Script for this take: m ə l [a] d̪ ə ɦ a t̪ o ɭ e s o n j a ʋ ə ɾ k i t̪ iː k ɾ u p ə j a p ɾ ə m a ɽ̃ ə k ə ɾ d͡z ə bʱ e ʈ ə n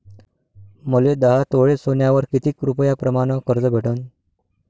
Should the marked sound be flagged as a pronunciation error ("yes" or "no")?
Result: yes